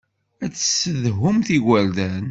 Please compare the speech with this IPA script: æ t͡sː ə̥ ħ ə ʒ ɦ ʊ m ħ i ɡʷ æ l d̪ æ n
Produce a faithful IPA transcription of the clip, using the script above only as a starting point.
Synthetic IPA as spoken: æ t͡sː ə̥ s ə ð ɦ ʊ m θ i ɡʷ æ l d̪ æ n